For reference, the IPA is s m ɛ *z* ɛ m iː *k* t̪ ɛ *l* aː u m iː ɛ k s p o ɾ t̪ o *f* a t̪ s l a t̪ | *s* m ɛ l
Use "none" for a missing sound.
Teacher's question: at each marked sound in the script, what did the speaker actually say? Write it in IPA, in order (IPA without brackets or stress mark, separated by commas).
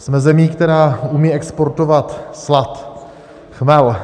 z, k, ɾ, v, x